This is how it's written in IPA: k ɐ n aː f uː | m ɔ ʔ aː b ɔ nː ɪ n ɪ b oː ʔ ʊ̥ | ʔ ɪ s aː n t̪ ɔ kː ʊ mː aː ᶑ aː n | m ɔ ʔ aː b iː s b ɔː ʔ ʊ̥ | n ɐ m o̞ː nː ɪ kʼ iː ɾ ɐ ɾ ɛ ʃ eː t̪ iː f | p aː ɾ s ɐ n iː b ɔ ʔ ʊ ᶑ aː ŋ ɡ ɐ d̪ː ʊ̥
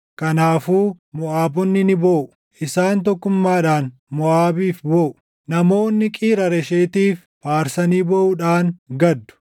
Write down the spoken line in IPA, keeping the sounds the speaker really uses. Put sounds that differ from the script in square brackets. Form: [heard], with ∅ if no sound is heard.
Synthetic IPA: k ɐ n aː f uː | m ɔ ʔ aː b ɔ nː ɪ n ɪ b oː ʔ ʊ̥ | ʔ ɪ s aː n t̪ ɔ kː ʊ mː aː ᶑ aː n | m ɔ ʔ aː b iː [f] b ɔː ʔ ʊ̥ | n ɐ m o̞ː nː ɪ kʼ iː ɾ ɐ ɾ ɛ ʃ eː t̪ iː f | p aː ɾ s ɐ n iː b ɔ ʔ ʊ ᶑ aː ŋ ɡ ɐ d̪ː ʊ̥

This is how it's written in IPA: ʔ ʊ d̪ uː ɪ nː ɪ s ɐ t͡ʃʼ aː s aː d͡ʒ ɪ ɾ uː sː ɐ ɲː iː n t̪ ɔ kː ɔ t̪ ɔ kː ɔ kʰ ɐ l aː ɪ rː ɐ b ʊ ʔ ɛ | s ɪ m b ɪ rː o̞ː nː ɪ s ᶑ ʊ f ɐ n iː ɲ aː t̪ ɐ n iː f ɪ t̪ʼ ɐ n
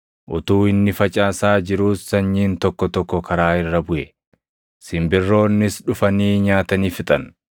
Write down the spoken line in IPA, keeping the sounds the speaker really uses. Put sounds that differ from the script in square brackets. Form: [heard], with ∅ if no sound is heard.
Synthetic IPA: ʔ ʊ [t̪] uː ɪ nː ɪ [f] ɐ t͡ʃʼ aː s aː d͡ʒ ɪ ɾ uː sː ɐ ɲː iː n t̪ ɔ kː ɔ t̪ ɔ kː ɔ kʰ ɐ [ɾ] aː ɪ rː ɐ b ʊ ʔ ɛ | s ɪ m b ɪ rː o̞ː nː ɪ s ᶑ ʊ f ɐ n iː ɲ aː t̪ ɐ n iː f ɪ t̪ʼ ɐ n

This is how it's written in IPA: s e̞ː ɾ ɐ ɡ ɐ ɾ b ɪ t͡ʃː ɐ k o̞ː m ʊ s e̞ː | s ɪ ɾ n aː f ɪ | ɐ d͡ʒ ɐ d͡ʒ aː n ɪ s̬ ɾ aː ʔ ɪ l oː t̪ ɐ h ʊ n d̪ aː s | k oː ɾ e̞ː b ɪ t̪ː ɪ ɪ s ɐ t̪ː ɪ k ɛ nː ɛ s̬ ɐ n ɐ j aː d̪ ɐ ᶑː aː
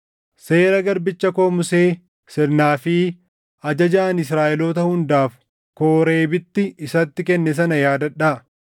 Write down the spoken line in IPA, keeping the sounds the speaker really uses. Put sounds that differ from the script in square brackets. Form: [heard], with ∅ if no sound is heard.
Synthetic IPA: s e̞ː ɾ ɐ ɡ ɐ ɾ b ɪ t͡ʃː ɐ k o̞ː m ʊ s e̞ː | s ɪ ɾ n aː f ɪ | ɐ d͡ʒ ɐ d͡ʒ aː n ɪ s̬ ɾ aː ʔ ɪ l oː t̪ ɐ h ʊ n d̪ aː [f] | k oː ɾ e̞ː b ɪ t̪ː ɪ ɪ s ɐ t̪ː ɪ k ɛ nː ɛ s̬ ɐ n ɐ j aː d̪ ɐ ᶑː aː

